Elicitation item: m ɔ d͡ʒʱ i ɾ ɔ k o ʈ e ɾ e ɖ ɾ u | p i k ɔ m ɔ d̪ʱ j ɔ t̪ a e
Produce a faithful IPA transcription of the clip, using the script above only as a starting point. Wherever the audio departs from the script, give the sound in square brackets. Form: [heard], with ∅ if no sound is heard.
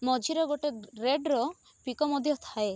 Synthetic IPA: m ɔ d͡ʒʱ i ɾ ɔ [ɡ] o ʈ e ɾ e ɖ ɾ [ɔ] | p i k ɔ m ɔ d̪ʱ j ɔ [t̪ʰ] a e